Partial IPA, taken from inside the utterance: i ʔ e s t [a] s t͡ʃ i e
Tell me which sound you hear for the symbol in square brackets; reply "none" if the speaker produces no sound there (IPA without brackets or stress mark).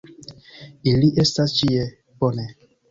a